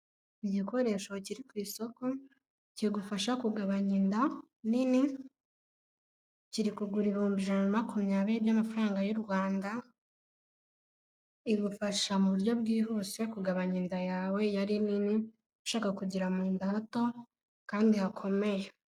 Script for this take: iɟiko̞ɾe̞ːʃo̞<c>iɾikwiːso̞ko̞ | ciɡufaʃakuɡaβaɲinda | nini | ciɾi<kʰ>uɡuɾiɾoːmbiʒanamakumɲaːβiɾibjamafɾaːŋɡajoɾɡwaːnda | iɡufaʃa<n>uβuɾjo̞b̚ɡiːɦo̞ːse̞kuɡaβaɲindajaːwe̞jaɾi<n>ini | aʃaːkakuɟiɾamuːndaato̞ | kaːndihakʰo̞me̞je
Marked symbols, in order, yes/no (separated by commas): yes, no, no, yes